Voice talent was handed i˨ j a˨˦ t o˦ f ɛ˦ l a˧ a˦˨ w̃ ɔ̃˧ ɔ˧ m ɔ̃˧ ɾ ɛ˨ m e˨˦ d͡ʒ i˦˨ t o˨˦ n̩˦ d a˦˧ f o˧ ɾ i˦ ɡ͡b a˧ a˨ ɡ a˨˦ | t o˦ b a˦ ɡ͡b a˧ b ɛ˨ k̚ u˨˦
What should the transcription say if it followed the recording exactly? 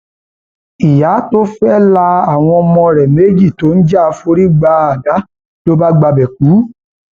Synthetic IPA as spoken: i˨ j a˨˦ t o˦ f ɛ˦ l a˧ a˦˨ w̃ ɔ̃˧ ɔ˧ m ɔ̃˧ ɾ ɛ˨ m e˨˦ d͡ʒ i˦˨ t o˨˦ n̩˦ d͡ʒ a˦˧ f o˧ ɾ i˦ ɡ͡b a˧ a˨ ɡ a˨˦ | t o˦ b a˦ ɡ͡b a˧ b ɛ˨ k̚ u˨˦